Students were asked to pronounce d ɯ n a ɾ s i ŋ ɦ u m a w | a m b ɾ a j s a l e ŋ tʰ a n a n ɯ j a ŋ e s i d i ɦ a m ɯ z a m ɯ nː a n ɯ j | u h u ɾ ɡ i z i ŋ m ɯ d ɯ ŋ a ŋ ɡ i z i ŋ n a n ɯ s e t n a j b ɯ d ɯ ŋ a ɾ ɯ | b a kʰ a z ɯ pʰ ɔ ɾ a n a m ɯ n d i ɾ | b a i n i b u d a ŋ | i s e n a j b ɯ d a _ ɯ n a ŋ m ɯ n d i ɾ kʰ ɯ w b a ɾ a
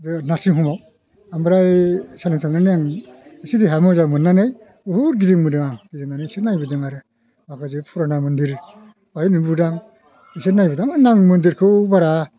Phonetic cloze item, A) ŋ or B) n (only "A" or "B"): A